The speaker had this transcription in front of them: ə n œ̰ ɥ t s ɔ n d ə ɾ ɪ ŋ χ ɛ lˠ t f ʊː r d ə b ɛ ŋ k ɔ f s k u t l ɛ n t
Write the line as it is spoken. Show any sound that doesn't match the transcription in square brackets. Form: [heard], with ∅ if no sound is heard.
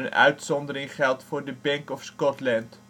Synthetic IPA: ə n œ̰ ɥ t s ɔ n d ə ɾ ɪ ŋ χ ɛ lˠ t f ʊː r d ə b ɛ ŋ k ɔ f s k [ɔ] t l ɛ n t